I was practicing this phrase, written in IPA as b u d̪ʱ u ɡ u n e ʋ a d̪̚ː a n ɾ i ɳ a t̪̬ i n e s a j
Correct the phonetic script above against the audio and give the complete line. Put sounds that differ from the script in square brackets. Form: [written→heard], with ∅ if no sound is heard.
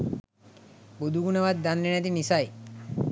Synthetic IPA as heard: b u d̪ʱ u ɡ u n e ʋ a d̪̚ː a n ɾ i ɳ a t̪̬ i n [e→i] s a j